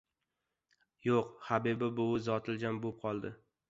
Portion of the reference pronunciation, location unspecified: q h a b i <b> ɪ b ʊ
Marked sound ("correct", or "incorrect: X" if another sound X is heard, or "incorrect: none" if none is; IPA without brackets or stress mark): correct